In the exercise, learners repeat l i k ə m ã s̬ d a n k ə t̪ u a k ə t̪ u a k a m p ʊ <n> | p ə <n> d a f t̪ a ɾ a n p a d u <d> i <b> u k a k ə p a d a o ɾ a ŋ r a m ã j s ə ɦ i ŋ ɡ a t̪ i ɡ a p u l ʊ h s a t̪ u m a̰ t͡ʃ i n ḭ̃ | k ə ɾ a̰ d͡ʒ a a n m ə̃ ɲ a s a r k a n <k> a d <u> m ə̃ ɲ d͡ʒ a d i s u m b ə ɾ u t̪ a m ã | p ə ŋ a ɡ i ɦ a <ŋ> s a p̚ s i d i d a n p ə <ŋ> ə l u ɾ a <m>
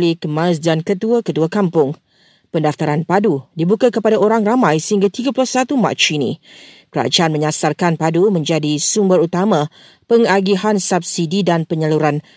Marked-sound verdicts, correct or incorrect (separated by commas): incorrect, correct, correct, correct, incorrect, correct, incorrect, incorrect, incorrect